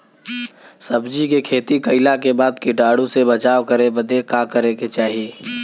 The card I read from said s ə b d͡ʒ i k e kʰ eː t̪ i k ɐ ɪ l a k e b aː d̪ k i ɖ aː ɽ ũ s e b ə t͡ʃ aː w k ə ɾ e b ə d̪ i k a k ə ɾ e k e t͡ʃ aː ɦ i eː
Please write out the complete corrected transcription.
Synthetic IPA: s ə b d͡ʒ i k e kʰ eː t̪ i k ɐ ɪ l a k e b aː d̪ k i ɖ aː ɽ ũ s e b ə t͡ʃ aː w k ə ɾ e b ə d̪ e k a k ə ɾ e k e t͡ʃ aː ɦ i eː

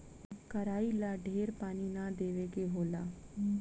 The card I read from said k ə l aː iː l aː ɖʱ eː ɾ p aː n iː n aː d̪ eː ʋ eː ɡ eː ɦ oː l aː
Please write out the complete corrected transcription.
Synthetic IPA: k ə ɾ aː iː l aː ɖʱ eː ɾ p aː n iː n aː d̪ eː ʋ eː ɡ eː ɦ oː l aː

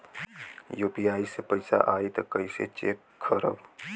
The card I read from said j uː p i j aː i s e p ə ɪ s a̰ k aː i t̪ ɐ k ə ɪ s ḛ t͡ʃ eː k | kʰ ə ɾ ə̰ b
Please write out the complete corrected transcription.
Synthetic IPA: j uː p i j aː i s e p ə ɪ s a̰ ʔ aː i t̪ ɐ k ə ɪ s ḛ t͡ʃ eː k | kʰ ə ɾ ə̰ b

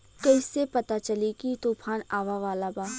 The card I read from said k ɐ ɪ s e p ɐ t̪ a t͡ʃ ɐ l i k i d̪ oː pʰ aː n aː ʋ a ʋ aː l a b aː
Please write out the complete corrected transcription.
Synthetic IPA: k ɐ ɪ s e p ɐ t̪ a t͡ʃ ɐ l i k i t̪ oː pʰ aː n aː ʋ a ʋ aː l a b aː

